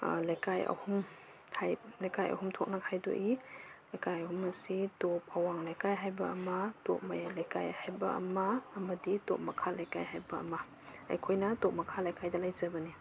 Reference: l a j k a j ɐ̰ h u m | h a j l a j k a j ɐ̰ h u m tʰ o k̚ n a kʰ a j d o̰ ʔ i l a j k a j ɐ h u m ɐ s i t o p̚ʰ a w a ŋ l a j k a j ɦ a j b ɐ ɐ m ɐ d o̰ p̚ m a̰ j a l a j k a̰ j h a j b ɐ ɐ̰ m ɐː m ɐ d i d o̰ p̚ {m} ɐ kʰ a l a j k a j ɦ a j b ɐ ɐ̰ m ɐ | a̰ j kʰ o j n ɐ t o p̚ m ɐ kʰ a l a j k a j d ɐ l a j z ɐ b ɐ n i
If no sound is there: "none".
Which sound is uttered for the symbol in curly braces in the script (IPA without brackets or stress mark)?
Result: m